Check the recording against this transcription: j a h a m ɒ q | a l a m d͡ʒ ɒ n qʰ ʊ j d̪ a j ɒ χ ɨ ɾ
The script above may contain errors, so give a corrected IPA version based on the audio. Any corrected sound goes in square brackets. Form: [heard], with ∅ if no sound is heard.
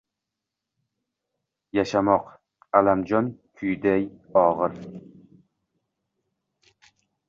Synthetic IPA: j a [ʃ] a m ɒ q | a l a m d͡ʒ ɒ n [kʰ] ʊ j d̪ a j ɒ [ʁ] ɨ ɾ